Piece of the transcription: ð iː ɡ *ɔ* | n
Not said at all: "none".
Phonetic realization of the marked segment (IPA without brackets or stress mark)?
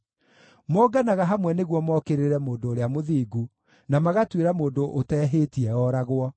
u